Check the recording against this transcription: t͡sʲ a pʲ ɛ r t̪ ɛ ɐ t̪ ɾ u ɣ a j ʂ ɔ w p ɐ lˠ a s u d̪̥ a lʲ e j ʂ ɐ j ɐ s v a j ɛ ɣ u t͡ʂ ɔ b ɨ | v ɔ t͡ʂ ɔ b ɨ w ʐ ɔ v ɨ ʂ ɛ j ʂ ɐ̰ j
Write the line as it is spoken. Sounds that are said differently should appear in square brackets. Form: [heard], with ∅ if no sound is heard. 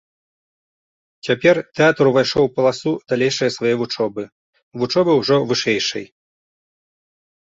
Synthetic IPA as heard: t͡sʲ a pʲ ɛ r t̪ ɛ [a] t̪ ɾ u [v] a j ʂ ɔ w p ɐ lˠ a s u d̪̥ a lʲ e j ʂ ɐ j ɐ s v a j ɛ [v] u t͡ʂ ɔ b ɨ | v [u] t͡ʂ ɔ b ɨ w ʐ ɔ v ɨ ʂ ɛ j ʂ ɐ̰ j